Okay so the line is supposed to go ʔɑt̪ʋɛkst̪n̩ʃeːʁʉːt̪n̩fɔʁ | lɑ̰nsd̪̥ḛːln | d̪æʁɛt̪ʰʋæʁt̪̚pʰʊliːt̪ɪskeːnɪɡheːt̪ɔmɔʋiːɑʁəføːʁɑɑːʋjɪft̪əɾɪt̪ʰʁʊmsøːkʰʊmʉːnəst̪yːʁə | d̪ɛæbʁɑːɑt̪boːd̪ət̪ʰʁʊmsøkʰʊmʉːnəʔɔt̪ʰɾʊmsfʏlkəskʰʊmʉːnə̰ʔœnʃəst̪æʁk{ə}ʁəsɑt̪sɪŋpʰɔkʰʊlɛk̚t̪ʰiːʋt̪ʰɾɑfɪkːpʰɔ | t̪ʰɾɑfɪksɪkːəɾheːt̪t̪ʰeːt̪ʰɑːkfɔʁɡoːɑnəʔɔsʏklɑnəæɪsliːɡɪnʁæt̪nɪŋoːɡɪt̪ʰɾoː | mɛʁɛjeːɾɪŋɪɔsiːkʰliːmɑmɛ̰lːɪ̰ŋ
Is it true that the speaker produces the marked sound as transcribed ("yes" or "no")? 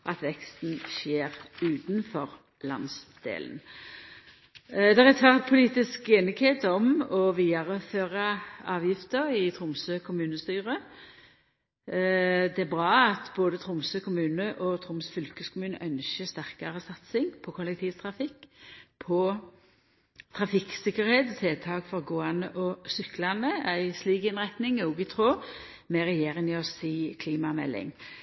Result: no